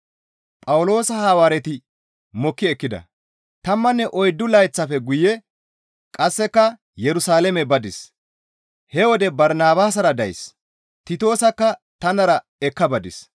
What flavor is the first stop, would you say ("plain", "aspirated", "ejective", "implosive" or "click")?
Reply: ejective